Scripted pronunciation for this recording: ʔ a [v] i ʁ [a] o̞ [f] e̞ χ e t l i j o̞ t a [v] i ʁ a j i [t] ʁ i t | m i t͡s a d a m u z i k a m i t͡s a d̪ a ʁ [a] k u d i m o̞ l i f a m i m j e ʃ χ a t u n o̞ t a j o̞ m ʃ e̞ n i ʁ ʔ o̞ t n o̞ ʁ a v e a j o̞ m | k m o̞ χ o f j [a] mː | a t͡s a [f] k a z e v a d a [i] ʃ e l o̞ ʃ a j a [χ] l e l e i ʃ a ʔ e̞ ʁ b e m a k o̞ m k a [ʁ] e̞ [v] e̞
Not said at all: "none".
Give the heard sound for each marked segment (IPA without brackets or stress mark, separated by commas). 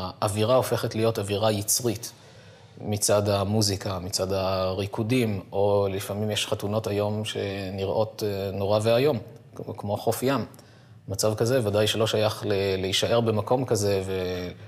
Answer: v, a, f, v, t͡s, i, a, v, j, χ, z, v